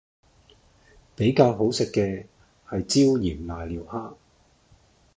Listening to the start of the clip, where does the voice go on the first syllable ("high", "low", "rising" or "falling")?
rising